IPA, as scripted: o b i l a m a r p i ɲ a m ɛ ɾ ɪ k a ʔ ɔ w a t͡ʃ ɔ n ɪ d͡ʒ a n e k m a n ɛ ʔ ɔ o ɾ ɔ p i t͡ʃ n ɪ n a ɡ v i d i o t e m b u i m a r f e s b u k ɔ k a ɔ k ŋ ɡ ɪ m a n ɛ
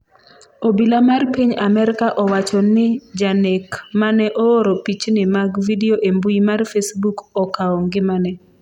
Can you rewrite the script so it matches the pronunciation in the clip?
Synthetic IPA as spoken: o b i l a m a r p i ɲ a m ɛ ɾ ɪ k a ʔ ɔ w a t͡ʃ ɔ n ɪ d͡ʒ a n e k m a n ɛ ʔ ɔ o ɾ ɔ p i t͡ʃ n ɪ m a ɡ v i d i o ʔ e m b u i m a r f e s b u k ɔ k a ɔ ŋ ɡ ɪ m a n ɛ

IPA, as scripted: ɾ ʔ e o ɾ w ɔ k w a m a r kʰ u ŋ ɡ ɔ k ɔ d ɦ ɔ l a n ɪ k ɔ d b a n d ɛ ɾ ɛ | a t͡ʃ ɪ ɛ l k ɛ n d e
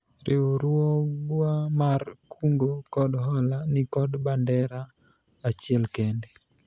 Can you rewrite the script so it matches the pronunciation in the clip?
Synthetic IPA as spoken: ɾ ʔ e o ɾ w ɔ ɡ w a m a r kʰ u ŋ ɡ o k ɔ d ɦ ɔ l a n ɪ k ɔ d b a n d ɛ ɾ a | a t͡ʃ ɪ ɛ l k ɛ n d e

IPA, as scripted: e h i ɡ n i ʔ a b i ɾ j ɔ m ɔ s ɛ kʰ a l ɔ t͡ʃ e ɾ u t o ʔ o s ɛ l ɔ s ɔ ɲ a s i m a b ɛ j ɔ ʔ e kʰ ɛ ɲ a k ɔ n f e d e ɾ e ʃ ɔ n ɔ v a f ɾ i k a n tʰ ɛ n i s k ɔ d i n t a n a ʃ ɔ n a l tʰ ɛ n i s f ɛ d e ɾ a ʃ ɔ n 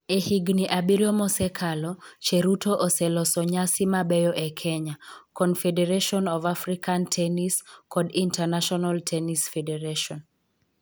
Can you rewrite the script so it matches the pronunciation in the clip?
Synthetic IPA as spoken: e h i ɡ n i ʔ a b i ɾ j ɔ m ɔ s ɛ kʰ a l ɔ t͡ʃ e ɾ u t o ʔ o s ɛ l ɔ s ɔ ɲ a s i m a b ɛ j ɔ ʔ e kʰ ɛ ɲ a k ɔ n f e d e ɾ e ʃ ɔ n ɔ v a f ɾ i k a n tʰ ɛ n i s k ɔ d i n t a n a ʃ ɔ n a l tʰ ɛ n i s f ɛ d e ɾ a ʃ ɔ n

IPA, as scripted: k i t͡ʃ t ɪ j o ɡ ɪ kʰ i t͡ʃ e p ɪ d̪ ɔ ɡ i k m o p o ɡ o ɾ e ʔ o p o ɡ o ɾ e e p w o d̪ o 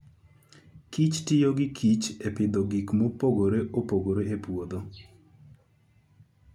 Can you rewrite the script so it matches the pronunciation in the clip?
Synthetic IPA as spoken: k i t͡ʃ t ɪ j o ɡ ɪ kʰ i t͡ʃ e p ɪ d̪ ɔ ɡ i k m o p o ɡ o ɾ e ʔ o p o ɡ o ɾ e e p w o d̪ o

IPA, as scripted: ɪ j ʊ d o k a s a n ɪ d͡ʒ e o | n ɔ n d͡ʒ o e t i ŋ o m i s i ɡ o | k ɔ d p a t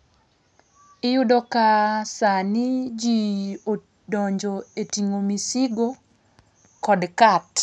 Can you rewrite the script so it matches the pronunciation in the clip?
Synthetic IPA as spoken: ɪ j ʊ d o k a s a n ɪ d͡ʒ i o | d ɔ ɲ d͡ʒ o e t i ŋ o m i s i ɡ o | k ɔ d k a t

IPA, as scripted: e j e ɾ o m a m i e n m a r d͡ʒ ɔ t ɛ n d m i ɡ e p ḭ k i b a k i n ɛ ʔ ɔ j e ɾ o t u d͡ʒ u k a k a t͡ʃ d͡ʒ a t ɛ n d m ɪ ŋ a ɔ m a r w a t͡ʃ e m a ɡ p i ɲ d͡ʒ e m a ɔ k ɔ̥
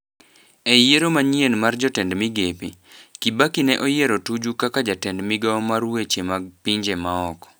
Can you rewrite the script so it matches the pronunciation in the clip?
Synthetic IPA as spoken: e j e ɾ o m a ɲ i e n m a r d͡ʒ ɔ t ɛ n d m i ɡ e p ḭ k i b a k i n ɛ ʔ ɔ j e ɾ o t u d͡ʒ u k a k a d͡ʒ a t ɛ n d m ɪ ɡ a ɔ m a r w e t͡ʃ e m a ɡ p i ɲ d͡ʒ e m a ɔ k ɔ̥

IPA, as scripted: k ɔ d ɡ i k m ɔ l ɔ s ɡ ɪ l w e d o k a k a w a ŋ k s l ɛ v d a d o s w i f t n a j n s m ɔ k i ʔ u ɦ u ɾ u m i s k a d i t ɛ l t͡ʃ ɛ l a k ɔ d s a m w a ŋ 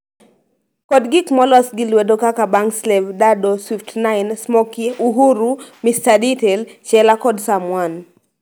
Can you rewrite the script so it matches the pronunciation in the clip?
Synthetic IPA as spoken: k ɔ d ɡ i k m ɔ l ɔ s ɡ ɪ l w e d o k a k a b a ŋ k s l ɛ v d a d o s w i f t n a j n s m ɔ k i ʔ u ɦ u ɾ u m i s t a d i t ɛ l t͡ʃ ɛ l a k ɔ d s a m w a n

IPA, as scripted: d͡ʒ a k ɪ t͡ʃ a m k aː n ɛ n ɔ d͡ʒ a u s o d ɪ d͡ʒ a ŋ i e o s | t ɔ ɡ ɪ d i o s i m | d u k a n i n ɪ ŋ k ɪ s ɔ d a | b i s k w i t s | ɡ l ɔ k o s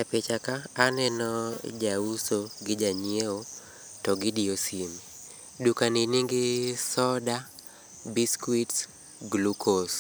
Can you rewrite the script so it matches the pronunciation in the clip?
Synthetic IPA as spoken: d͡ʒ a p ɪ t͡ʃ a k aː n ɛ n ɔ d͡ʒ a u s o ɡ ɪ d͡ʒ a ɲ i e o | t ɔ ɡ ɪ d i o s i m | d u k a n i n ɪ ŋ ɡ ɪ s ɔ d a | b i s k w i t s | ɡ l u k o s

